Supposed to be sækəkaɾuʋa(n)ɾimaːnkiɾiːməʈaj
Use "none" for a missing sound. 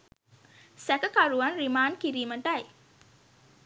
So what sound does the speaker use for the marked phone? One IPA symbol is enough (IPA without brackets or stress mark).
n